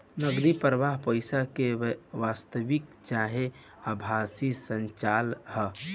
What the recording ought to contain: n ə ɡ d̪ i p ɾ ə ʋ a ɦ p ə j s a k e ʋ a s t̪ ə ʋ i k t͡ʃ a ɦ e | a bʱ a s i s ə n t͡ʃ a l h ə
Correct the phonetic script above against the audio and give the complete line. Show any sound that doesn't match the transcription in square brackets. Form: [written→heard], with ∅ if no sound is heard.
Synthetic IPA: n ə ɡ d̪ i p ɾ ə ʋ a ɦ p ə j s a k e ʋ a s t̪ ə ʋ i k t͡ʃ a ɦ e | a bʱ a s i s ə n t͡ʃ a l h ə